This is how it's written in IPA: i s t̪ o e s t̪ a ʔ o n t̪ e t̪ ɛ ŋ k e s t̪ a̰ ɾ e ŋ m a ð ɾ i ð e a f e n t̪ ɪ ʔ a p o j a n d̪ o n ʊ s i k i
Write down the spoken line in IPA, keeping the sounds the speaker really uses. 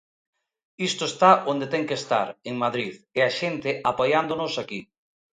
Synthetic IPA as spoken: i s t̪ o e s t̪ a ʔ o n d̪ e t̪ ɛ ŋ k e s t̪ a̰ ɾ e ŋ m a ð ɾ i ð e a ʃ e n t̪ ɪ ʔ a p o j a n d̪ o n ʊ s a k i